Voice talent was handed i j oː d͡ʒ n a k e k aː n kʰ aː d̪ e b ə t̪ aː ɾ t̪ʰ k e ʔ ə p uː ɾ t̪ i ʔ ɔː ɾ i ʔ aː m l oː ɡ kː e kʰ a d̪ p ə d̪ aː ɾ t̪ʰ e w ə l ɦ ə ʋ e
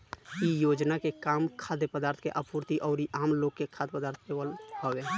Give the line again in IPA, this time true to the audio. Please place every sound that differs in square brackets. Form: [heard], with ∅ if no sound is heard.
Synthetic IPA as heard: i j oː d͡ʒ n a k e k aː [m] kʰ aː d̪ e [p] ə [d̪] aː ɾ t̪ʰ k e ʔ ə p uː ɾ t̪ i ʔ ɔː ɾ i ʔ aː m l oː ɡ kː e kʰ a d̪ p ə d̪ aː ɾ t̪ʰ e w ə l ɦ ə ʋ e